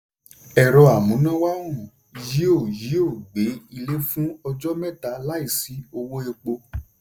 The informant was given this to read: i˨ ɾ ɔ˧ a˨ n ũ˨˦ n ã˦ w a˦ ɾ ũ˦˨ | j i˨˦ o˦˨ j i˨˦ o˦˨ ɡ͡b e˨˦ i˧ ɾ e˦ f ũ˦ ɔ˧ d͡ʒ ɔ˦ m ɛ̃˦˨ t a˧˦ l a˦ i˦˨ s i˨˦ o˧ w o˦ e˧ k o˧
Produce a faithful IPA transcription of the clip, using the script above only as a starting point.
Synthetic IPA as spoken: ɛ˨ ɾ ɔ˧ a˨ m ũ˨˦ n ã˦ w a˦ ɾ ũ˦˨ | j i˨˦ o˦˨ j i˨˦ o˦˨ ɡ͡b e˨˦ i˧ l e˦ f ũ˦ ɔ˧ d͡ʒ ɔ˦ m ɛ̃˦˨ t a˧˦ l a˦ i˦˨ s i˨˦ o˧ w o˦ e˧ k͡p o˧